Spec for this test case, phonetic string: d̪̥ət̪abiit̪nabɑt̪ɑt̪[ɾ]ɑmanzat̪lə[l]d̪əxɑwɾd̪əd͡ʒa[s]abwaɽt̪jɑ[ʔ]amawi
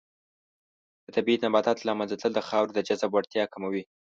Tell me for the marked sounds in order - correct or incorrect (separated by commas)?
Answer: incorrect, correct, incorrect, incorrect